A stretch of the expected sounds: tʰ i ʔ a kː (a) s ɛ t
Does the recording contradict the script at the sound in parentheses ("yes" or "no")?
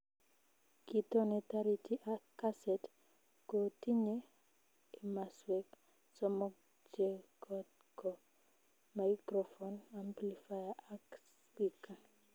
no